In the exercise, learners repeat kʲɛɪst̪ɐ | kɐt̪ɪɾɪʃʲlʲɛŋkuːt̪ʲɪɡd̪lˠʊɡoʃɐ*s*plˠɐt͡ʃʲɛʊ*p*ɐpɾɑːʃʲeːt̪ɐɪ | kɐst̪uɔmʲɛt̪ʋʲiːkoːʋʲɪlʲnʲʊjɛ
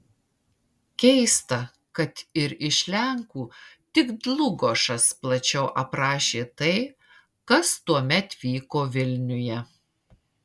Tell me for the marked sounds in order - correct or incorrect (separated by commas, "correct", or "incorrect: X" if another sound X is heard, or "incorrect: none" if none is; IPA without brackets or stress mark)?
correct, incorrect: ʔ